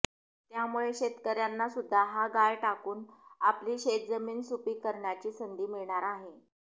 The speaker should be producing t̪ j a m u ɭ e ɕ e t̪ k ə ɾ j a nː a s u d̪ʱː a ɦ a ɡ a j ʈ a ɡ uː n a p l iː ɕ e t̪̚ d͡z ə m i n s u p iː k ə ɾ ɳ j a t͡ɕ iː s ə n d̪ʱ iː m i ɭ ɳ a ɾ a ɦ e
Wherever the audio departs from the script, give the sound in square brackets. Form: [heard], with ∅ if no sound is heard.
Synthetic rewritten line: t̪ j a m u ɭ e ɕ e t̪ k ə ɾ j a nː a s u d̪ʱː a ɦ a ɡ a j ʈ a [k] uː n a p l iː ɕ e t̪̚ d͡z ə m [iː] n s u p iː k ə ɾ ɳ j a t͡ɕ iː s ə n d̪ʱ iː m i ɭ ɳ a ɾ a ɦ e